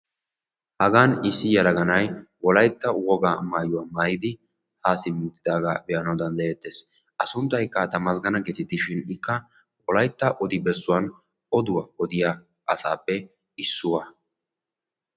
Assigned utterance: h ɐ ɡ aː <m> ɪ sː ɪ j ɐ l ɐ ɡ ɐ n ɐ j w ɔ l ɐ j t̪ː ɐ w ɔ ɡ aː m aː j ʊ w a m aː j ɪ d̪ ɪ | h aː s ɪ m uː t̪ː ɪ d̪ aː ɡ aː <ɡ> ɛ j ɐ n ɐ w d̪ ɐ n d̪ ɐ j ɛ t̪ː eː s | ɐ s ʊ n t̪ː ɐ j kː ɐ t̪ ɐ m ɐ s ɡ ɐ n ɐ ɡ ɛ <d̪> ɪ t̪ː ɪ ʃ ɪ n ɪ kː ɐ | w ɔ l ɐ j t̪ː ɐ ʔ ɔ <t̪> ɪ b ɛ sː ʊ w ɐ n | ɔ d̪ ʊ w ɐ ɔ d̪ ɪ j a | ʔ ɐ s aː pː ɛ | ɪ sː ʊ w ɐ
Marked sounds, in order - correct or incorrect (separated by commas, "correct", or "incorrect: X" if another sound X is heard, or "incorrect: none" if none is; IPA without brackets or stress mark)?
incorrect: n, incorrect: b, incorrect: t̪, incorrect: d̪